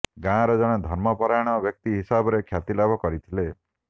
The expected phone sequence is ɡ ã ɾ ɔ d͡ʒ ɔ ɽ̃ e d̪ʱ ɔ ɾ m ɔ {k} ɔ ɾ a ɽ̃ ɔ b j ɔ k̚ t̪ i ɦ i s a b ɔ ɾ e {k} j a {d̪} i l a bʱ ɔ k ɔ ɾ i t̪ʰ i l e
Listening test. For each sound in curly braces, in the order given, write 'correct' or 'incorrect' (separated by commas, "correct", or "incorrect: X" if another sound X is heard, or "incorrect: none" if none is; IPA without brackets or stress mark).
incorrect: p, incorrect: kʰ, incorrect: t̪